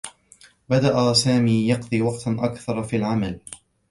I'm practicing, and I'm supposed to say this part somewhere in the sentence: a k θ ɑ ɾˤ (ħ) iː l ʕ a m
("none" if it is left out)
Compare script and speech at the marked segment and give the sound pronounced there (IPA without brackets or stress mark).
f